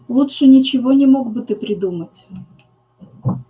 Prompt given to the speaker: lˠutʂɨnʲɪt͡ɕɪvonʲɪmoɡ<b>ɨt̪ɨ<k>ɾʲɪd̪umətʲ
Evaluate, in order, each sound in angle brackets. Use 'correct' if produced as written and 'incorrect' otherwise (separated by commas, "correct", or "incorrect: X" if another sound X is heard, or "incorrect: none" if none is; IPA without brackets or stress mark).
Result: correct, incorrect: p